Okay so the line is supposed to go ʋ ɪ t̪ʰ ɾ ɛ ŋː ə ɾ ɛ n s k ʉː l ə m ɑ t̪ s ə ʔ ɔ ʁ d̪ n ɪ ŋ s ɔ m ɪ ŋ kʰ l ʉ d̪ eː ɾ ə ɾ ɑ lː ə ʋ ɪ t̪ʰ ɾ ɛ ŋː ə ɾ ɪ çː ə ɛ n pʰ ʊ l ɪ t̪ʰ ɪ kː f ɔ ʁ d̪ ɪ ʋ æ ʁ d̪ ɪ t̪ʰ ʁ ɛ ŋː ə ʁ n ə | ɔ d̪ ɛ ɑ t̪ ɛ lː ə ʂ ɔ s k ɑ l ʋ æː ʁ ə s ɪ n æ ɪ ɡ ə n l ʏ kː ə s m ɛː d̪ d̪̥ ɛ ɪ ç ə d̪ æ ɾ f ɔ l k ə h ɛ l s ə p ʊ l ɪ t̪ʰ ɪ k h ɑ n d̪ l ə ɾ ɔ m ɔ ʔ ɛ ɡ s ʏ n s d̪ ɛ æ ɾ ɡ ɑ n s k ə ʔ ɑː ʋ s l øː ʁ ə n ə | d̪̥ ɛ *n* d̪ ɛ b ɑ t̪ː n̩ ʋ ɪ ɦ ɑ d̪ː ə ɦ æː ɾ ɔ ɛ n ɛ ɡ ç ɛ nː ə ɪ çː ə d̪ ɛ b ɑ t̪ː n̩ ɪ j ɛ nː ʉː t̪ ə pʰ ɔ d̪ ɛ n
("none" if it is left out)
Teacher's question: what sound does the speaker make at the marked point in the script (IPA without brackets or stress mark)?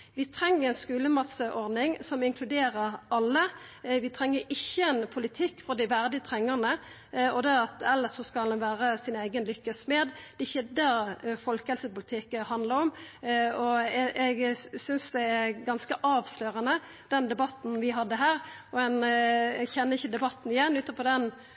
n